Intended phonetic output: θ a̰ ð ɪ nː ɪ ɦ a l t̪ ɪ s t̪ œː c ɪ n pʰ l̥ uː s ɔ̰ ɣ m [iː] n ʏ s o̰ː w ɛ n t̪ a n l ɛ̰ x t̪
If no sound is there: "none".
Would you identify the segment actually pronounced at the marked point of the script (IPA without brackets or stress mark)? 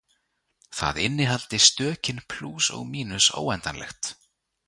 iː